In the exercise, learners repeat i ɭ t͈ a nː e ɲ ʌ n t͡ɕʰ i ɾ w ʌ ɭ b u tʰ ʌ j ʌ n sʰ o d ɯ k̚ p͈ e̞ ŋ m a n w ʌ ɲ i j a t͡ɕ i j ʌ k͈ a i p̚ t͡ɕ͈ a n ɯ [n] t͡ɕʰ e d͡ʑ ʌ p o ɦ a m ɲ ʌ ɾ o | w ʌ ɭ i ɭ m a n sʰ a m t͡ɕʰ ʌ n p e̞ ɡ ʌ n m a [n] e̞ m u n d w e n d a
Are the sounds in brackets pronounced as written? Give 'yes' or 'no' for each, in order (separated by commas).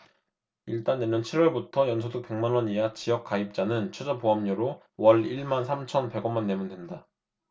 yes, no